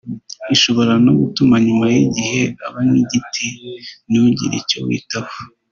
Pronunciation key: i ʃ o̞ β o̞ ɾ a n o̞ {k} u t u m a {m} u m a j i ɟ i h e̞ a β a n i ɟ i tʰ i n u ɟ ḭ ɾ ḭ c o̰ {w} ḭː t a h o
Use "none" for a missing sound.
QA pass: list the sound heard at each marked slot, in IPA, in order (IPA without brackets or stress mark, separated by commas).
ɡ, ɲ, w